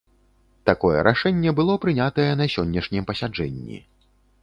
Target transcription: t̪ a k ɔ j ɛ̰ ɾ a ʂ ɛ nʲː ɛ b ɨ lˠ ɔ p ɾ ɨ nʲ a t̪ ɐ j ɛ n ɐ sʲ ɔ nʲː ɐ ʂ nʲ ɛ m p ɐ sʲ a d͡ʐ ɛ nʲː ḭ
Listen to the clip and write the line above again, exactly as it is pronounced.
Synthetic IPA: t̪ a k ɔ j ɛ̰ ɾ a ʂ ɛ nʲː ɛ b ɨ lˠ ɔ p ɾ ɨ nʲ a t̪ ɐ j ɛ n ɐ sʲ ɔ nʲː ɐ ʂ nʲ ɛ m p ɐ sʲ a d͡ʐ ɛ nʲː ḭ